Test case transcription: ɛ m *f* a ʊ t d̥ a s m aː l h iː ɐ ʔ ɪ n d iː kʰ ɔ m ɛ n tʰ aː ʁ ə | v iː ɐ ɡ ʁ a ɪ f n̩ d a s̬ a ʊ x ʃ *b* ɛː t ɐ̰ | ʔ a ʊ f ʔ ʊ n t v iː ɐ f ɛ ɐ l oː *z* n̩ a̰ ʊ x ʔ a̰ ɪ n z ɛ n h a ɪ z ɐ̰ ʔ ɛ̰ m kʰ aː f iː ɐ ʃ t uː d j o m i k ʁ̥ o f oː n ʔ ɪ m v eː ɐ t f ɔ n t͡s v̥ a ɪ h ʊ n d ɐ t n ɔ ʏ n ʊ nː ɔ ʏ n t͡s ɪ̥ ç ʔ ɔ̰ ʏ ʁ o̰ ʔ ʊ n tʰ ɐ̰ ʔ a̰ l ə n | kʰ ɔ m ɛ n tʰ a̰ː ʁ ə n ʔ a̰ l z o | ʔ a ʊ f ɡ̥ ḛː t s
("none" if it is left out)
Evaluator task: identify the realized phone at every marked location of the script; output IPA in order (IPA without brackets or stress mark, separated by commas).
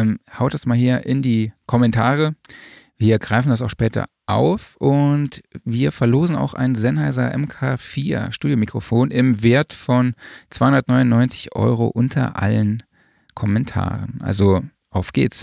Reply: h, p, z